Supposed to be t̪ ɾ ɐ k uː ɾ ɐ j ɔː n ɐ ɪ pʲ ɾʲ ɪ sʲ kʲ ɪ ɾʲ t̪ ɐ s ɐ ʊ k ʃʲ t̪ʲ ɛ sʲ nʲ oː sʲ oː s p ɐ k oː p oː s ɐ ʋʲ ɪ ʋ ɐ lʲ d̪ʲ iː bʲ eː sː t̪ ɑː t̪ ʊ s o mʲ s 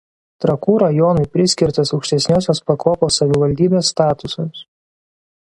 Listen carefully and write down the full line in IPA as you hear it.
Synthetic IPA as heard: t̪ ɾ ɐ k uː ɾ ɐ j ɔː n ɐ ɪ pʲ ɾʲ ɪ sʲ kʲ ɪ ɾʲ t̪ ɐ s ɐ ʊ k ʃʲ t̪ʲ ɛ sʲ nʲ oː sʲ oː s p ɐ k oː p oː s ɐ ʋʲ ɪ ʋ ɐ lʲ d̪ʲ iː bʲ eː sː t̪ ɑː t̪ ʊ s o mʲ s